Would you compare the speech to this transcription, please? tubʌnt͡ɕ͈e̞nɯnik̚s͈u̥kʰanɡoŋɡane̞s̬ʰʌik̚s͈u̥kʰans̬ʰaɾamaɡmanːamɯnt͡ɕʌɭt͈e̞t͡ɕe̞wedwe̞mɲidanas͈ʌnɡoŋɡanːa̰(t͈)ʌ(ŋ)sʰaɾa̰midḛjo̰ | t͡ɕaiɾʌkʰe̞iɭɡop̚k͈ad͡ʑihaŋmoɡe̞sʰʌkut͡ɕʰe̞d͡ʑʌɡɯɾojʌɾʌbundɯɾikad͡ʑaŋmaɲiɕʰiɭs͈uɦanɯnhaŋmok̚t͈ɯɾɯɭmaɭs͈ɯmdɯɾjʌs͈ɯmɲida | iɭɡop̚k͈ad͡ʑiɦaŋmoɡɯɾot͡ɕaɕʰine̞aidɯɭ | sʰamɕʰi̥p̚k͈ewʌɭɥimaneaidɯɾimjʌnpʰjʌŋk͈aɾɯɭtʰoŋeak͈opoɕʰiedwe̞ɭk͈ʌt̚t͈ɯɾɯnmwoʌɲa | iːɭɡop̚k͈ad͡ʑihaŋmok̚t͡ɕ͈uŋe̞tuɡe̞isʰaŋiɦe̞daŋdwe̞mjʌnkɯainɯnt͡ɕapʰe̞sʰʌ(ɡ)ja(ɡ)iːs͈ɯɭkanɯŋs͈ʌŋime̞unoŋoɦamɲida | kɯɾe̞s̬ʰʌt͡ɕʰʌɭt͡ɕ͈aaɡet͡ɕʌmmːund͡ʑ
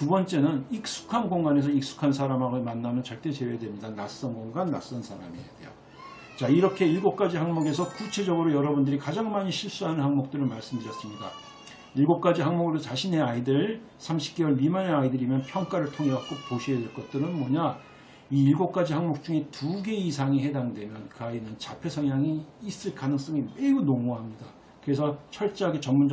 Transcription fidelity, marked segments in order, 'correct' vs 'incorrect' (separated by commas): incorrect, incorrect, incorrect, incorrect